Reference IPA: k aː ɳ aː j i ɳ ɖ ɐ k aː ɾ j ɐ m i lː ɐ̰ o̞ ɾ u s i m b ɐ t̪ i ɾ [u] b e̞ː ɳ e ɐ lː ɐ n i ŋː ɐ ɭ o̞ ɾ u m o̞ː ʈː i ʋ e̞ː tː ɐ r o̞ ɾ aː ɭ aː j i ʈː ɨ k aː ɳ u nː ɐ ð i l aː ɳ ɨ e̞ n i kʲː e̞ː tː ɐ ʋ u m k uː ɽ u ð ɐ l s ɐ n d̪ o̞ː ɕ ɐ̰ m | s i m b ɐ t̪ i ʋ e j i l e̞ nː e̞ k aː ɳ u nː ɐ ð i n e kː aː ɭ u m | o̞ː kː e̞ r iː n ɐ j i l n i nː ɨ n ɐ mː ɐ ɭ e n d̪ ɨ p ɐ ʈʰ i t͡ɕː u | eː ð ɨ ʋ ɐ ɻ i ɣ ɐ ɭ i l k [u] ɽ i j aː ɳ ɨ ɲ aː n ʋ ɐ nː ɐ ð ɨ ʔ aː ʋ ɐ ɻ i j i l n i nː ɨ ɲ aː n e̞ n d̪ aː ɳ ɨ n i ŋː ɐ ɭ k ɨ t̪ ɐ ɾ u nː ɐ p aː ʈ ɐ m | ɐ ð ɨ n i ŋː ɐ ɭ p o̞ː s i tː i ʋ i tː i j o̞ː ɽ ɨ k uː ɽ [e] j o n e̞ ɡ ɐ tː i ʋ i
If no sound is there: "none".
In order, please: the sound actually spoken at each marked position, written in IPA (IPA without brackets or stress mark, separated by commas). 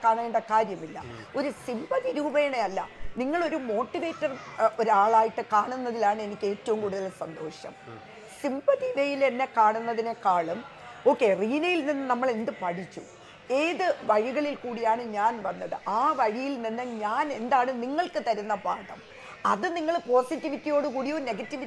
uː, uː, i